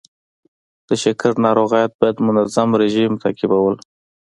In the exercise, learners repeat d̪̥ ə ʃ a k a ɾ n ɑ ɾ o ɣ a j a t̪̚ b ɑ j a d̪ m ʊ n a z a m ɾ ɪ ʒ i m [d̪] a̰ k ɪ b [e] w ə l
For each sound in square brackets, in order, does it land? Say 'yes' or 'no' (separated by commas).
no, no